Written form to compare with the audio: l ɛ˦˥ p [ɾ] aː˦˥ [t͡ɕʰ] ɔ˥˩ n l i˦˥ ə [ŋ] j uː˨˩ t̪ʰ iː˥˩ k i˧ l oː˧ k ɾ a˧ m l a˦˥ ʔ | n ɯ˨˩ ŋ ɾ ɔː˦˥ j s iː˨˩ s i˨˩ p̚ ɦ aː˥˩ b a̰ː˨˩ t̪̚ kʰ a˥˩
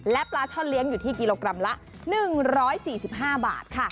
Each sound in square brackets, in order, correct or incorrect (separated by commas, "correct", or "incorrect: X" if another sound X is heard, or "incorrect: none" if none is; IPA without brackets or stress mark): incorrect: l, correct, correct